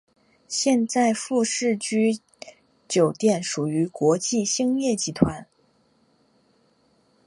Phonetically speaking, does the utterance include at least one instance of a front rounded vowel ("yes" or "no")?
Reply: yes